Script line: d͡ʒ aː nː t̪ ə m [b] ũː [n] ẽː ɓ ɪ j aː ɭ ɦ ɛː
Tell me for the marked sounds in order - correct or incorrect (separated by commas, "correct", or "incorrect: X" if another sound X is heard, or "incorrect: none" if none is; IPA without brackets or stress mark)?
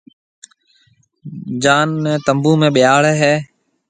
correct, incorrect: m